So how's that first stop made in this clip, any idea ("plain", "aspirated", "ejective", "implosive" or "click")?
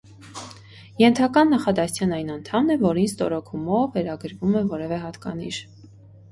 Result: aspirated